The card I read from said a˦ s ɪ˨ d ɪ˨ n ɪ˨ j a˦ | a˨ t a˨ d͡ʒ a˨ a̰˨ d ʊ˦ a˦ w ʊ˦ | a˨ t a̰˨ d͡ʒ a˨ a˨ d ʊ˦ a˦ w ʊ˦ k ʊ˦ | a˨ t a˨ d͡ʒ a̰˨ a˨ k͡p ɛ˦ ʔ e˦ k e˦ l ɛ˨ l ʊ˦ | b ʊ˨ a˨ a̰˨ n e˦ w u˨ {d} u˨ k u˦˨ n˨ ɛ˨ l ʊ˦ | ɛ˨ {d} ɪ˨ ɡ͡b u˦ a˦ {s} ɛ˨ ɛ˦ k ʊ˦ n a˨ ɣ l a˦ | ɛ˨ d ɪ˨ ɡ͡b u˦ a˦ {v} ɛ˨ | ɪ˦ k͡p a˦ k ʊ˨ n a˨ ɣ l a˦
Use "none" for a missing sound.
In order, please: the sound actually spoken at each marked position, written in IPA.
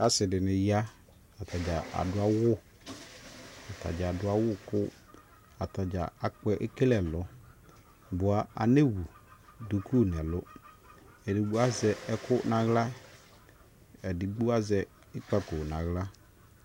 d, d, z, z

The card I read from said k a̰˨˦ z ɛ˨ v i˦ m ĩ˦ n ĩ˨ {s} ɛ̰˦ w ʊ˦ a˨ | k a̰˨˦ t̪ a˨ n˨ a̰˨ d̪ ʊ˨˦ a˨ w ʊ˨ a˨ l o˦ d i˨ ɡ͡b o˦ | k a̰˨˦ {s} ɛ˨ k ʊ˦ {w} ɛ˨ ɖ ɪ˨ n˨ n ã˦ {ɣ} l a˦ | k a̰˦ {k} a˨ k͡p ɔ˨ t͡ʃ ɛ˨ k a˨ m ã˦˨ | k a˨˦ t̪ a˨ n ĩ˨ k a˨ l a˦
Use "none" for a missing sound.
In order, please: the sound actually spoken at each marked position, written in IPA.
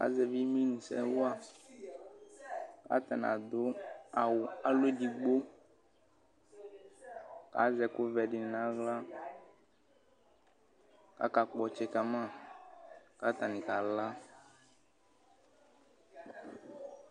s, z, v, ɣ, k

